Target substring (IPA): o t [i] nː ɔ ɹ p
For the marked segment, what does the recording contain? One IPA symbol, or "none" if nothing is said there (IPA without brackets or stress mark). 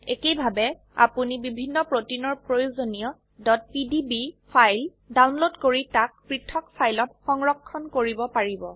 i